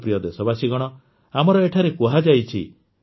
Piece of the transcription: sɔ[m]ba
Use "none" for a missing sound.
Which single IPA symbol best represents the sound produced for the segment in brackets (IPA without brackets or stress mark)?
none